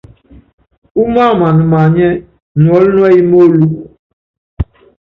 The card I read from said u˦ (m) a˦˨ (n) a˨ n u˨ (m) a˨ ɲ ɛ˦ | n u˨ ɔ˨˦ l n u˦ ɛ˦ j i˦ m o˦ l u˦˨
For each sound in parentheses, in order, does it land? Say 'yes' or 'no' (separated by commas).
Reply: yes, no, yes